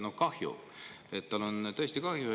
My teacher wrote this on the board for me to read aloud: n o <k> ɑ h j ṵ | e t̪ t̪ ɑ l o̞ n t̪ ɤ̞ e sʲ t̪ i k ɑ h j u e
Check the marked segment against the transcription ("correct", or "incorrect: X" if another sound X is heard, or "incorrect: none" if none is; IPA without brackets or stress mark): correct